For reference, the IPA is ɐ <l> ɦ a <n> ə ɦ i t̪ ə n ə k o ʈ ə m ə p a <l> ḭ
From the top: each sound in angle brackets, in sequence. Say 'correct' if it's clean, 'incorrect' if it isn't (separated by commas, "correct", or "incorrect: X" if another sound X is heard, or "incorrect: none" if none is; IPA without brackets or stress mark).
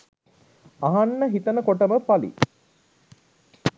incorrect: none, incorrect: nː, correct